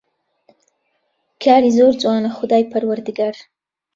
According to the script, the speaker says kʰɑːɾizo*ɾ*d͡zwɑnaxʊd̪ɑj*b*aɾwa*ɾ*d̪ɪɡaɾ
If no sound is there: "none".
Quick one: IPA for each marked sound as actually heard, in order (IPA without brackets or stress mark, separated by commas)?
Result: ɾ, p, ɾ